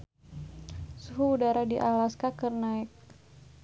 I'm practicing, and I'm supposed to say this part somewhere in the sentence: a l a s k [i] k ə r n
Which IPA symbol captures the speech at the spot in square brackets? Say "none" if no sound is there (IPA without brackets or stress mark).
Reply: a